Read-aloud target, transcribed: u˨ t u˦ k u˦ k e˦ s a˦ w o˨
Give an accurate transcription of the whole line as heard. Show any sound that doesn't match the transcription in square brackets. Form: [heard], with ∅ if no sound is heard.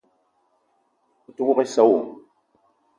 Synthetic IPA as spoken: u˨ t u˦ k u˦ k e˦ s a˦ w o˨